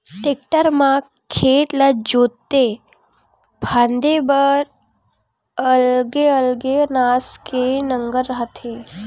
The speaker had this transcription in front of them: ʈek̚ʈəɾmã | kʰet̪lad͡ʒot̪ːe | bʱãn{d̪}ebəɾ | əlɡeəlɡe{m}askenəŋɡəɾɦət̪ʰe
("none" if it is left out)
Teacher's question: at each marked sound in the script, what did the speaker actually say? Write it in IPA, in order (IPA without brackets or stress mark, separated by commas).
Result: d̪, n